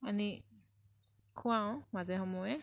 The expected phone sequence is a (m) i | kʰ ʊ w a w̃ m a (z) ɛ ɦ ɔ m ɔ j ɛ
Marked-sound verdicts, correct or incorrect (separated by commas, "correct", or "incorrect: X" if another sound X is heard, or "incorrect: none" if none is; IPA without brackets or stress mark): incorrect: n, correct